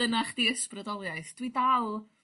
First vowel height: mid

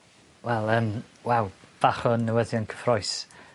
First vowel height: mid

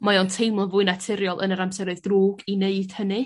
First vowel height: low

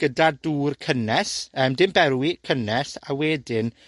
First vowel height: mid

